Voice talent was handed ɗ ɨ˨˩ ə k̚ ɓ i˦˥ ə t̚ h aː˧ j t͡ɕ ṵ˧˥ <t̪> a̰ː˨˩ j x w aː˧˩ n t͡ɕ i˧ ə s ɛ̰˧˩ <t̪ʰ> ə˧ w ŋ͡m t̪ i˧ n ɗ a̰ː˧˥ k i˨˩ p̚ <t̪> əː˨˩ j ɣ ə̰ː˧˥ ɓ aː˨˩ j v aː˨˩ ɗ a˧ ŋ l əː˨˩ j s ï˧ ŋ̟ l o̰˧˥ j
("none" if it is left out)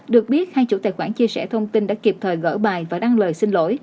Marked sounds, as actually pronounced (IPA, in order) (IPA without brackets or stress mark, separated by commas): t̪, t̪ʰ, t̪ʰ